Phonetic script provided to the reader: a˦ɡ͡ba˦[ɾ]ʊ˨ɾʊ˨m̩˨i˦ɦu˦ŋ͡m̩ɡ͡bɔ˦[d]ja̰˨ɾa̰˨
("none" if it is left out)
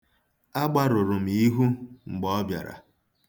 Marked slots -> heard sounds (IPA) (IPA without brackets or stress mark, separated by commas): ɾ, b